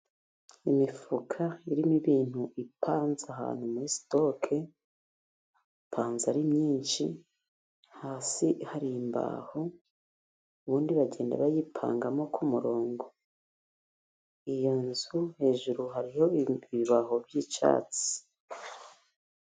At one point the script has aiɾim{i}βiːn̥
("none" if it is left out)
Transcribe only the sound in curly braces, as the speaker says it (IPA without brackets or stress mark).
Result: i